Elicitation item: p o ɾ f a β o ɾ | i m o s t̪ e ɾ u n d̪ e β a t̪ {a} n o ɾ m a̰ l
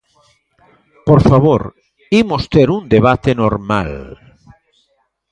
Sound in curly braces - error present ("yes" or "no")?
yes